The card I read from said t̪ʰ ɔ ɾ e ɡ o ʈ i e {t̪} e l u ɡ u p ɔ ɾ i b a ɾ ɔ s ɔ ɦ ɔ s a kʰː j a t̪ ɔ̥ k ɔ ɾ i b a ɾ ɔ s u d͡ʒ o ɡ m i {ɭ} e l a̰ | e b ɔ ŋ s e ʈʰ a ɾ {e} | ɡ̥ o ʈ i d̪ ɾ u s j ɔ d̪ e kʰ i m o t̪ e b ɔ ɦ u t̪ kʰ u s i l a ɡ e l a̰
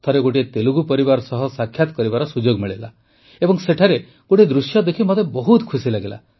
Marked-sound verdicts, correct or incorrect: correct, correct, correct

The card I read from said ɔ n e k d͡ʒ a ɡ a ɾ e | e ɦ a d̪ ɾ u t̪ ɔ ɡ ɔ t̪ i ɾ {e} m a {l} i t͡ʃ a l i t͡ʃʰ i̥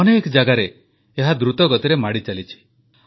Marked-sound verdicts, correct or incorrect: correct, incorrect

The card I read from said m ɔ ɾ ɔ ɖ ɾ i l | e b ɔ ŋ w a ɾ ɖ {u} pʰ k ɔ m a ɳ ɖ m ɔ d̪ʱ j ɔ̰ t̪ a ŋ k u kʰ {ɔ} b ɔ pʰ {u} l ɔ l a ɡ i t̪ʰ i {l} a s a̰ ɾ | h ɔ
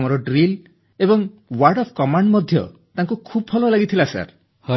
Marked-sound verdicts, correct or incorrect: incorrect, incorrect, incorrect, correct

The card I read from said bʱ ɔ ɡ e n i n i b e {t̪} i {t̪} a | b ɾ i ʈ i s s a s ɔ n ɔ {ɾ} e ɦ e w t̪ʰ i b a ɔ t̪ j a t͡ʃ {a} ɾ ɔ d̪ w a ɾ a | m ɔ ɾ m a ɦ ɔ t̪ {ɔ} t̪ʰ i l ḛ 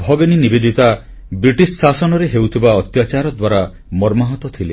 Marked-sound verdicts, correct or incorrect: incorrect, correct, correct, correct, correct

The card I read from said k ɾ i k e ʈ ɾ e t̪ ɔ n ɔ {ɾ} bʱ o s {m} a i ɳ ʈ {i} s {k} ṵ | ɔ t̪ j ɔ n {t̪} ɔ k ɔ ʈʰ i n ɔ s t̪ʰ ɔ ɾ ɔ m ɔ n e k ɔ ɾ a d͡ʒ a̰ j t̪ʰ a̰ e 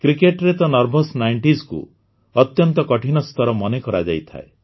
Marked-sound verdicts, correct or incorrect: correct, incorrect, correct, correct, correct

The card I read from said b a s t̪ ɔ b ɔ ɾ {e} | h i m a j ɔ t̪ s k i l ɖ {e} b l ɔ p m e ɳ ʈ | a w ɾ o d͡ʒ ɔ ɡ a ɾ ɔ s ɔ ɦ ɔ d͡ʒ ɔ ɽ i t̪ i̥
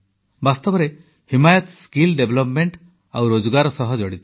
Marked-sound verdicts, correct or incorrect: correct, correct

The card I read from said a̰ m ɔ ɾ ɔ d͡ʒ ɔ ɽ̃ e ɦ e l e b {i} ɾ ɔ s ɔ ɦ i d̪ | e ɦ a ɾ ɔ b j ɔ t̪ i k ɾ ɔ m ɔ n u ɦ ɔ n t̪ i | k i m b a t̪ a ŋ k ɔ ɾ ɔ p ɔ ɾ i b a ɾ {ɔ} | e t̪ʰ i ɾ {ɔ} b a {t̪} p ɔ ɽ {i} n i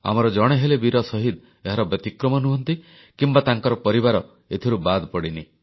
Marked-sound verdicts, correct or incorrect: correct, correct, incorrect, incorrect, correct

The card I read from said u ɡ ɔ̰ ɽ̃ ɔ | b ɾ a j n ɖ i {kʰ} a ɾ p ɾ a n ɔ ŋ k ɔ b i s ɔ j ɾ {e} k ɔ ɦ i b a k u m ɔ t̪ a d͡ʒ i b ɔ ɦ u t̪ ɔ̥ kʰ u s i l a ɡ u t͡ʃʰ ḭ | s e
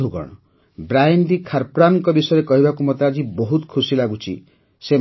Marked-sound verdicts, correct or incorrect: correct, correct

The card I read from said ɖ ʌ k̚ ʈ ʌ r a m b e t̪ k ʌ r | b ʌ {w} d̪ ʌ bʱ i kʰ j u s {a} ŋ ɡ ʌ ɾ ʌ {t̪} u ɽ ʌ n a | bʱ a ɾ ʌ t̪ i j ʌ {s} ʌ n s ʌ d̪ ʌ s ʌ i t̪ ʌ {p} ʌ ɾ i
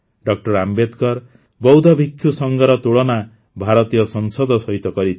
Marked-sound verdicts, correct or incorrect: correct, incorrect, correct, correct, incorrect

